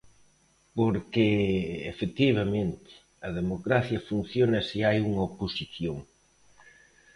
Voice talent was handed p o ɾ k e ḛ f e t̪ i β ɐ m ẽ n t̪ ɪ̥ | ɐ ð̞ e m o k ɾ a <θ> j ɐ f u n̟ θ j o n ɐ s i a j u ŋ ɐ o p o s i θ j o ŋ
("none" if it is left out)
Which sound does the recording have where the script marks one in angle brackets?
θ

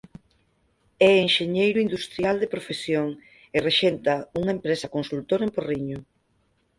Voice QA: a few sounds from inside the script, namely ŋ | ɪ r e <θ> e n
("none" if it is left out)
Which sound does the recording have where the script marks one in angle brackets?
ʃ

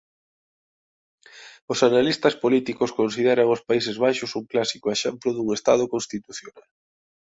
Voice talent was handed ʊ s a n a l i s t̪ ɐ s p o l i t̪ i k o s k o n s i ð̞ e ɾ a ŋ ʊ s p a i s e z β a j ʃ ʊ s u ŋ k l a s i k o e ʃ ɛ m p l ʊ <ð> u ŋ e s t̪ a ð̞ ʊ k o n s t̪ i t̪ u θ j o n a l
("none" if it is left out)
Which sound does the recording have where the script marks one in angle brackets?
ð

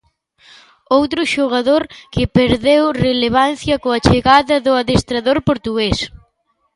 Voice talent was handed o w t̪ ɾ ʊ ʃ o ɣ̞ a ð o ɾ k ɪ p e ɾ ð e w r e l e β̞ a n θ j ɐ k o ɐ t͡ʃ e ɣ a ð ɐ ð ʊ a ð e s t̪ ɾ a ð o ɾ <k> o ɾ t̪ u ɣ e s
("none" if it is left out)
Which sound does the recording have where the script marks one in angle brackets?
p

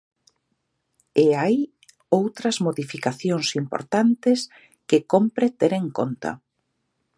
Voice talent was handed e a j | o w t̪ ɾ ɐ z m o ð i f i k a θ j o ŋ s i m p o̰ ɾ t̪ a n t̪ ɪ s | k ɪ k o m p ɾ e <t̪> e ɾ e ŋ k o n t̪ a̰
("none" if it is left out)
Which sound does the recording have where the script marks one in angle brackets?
t̪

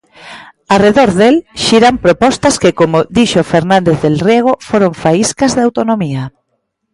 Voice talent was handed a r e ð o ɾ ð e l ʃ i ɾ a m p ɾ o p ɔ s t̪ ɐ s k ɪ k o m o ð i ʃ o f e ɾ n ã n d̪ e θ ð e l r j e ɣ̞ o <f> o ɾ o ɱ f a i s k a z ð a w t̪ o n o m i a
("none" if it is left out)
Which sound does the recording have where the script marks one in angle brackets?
f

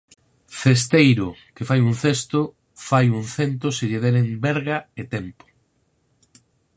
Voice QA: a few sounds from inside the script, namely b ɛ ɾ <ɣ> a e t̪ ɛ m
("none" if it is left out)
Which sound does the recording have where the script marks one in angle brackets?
ɣ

